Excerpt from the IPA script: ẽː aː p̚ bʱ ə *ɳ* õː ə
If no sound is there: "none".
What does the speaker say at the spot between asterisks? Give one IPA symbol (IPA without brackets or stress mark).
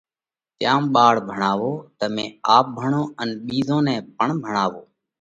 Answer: ɳ